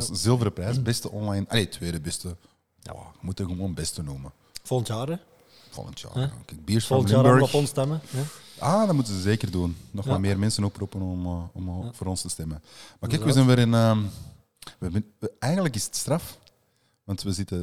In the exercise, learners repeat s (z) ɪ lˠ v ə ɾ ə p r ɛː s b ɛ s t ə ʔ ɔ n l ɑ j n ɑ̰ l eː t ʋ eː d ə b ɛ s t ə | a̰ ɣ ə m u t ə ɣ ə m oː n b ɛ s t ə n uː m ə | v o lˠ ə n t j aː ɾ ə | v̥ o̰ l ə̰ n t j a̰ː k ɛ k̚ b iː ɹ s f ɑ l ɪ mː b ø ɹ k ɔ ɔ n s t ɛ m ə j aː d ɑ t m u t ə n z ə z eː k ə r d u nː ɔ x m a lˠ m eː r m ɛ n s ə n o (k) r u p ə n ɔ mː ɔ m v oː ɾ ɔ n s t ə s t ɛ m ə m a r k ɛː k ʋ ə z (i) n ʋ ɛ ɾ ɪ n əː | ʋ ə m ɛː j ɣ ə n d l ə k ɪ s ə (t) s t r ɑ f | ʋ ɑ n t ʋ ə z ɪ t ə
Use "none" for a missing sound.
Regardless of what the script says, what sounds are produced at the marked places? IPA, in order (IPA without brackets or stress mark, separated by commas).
z, p, ɛ, t